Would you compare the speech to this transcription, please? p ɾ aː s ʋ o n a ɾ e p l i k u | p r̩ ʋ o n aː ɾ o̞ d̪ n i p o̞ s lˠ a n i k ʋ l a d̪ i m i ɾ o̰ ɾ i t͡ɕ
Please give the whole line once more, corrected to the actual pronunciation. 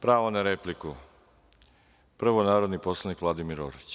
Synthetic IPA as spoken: p ɾ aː ʋ o n a ɾ e p l i k u | p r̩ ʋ o n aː ɾ o̞ d̪ n i p o̞ s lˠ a n i k ʋ l a d̪ i m i ɾ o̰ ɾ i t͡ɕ